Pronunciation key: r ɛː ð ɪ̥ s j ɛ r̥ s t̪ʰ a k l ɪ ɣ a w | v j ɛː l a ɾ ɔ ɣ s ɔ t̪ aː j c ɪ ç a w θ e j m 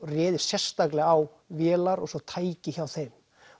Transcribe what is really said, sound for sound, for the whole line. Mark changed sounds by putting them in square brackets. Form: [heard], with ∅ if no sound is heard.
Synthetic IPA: r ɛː ð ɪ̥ s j ɛ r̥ s [t̪] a k l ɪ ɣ a w | v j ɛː l a ɾ ɔ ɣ s ɔ [t̪ʰ] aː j c ɪ ç a w θ e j m